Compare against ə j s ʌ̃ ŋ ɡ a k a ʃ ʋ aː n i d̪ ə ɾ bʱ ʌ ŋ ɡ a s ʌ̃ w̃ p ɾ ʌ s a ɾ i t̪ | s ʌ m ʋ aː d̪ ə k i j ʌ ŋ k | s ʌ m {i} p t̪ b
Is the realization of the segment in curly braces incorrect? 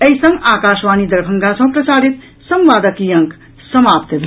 yes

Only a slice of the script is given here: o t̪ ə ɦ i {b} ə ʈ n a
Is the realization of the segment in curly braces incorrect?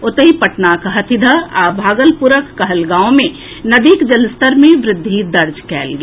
yes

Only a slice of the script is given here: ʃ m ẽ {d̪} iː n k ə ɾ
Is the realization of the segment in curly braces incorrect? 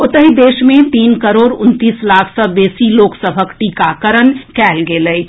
yes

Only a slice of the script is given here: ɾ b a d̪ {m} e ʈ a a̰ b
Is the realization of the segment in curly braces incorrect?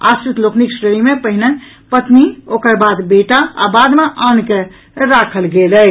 yes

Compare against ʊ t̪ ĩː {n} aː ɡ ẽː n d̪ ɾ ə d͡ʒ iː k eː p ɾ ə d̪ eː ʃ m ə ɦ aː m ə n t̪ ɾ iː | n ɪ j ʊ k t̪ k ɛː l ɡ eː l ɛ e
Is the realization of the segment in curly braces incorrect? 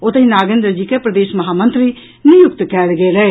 no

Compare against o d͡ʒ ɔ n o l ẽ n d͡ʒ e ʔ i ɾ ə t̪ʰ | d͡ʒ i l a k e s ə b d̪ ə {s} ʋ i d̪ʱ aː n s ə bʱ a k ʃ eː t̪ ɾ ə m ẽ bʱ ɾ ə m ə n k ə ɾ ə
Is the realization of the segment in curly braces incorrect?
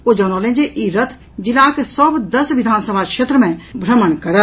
no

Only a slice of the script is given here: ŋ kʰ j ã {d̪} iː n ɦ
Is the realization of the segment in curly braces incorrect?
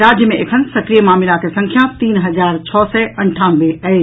yes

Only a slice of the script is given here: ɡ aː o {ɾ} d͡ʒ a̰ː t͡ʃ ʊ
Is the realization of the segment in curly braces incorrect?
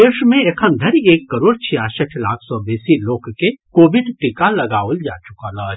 yes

